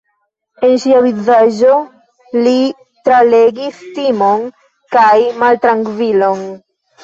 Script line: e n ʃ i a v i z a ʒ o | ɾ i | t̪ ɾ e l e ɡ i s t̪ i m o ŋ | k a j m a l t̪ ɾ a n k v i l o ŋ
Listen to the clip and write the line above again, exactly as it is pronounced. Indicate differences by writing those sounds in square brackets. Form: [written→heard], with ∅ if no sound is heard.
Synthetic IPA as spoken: e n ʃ i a v i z a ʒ o | [ɾ→l] i | t̪ ɾ [e→a] l e ɡ i s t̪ i m o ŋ | k a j m a l t̪ ɾ a [n→ŋ] k v i l o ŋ